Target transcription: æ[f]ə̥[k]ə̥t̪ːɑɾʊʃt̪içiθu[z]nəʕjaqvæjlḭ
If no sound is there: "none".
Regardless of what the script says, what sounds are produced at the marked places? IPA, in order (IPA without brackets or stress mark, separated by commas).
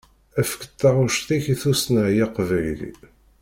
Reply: f, k, s